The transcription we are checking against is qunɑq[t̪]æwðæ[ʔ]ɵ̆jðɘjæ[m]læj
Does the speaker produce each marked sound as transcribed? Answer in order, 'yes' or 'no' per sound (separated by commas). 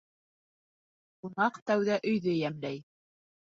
yes, yes, yes